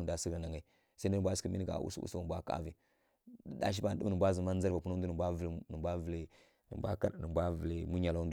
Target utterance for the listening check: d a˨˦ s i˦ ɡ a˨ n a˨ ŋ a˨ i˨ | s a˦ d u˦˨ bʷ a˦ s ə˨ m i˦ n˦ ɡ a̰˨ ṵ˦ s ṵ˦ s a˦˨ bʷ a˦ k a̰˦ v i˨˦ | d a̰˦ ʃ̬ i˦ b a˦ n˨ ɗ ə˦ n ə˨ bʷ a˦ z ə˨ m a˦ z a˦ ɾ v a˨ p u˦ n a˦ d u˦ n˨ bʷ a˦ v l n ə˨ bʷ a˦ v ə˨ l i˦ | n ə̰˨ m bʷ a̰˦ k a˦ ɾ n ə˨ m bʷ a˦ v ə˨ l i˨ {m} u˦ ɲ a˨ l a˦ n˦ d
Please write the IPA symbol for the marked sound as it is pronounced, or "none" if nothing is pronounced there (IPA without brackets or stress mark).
m